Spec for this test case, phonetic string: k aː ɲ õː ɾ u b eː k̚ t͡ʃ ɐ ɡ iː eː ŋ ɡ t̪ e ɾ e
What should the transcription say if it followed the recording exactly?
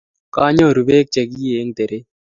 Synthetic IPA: k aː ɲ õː ɾ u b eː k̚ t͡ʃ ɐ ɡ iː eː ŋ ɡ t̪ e ɾ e